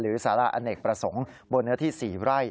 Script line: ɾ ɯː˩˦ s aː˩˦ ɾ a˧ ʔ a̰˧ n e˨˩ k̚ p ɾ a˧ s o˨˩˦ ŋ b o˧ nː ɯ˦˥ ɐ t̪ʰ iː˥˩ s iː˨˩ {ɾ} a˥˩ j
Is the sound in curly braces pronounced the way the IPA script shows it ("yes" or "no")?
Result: yes